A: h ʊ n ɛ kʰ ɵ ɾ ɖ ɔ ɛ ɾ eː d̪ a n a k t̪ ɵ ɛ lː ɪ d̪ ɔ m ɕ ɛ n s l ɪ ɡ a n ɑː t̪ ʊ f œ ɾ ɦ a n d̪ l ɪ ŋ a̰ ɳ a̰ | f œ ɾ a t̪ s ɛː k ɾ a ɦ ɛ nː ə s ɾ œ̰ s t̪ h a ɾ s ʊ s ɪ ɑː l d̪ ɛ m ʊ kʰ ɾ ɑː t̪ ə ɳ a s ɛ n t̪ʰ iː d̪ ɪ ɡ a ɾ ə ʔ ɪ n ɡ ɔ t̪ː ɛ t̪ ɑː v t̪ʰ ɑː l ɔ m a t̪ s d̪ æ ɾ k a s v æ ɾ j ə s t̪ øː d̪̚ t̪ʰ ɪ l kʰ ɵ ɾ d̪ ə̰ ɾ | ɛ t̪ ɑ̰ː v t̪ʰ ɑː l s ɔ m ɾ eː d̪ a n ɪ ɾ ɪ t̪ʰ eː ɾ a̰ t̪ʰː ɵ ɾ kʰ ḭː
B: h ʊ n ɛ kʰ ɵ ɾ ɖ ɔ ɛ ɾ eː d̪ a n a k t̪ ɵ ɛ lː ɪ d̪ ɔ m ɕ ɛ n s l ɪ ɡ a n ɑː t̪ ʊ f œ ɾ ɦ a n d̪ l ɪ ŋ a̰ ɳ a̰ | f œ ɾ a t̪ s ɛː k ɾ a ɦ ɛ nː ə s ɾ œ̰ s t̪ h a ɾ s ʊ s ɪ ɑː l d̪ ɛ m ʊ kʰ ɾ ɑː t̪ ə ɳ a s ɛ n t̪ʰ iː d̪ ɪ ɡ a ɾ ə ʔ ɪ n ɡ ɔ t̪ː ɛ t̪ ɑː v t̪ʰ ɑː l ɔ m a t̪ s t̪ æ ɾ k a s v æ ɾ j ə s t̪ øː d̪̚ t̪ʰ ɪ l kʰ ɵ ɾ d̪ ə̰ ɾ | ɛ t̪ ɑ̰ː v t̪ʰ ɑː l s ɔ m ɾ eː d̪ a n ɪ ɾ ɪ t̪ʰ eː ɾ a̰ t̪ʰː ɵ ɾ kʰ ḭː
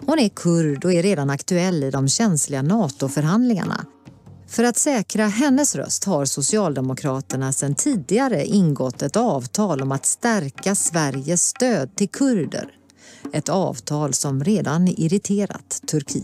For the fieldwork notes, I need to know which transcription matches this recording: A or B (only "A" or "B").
B